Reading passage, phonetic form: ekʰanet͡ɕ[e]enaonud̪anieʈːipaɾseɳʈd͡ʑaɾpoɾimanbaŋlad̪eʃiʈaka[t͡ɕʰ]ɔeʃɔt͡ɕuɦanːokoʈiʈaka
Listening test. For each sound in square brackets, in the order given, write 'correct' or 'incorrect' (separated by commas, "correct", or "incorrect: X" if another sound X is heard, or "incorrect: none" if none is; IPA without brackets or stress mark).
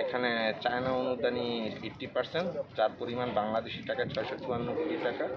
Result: incorrect: a, correct